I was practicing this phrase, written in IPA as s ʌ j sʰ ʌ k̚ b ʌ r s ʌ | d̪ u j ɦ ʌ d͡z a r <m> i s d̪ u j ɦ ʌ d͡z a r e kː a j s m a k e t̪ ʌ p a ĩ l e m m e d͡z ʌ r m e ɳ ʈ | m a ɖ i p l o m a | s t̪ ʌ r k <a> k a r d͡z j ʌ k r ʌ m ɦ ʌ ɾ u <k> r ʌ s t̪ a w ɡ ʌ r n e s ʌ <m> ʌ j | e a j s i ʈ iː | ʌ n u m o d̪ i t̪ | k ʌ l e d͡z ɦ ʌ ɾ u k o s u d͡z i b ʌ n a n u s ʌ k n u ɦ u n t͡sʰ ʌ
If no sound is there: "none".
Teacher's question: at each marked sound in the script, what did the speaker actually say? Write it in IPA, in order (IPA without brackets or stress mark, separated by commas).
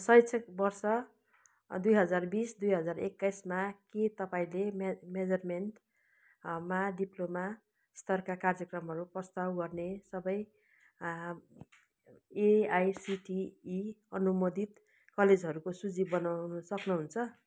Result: b, a, p, b